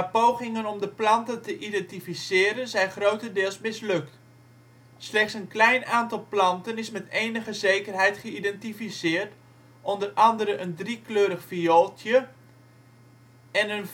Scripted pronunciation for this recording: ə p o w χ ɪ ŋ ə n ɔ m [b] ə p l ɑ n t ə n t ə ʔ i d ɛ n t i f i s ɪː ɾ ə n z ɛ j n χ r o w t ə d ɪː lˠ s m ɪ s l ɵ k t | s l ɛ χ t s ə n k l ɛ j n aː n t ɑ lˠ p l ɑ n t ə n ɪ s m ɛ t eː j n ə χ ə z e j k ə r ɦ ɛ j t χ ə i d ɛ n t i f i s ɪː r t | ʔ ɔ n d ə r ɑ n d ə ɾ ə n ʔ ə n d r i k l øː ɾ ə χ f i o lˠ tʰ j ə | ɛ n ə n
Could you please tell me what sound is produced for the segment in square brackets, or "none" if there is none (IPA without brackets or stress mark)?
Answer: d